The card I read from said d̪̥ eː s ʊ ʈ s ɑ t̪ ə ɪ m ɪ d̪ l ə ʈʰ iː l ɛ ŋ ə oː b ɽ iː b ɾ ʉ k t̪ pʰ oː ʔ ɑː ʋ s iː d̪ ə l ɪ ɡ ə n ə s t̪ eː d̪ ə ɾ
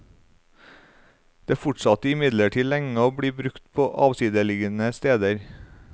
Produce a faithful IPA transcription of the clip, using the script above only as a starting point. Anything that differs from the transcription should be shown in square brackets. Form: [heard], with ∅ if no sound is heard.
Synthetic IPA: d̪̥ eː [f] ʊ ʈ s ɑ t̪ ə ɪ m ɪ d̪ l ə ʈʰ iː l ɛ ŋ ə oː b ɽ iː b ɾ ʉ k t̪ pʰ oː ʔ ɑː ʋ s iː d̪ ə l ɪ ɡ ə n ə s t̪ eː d̪ ə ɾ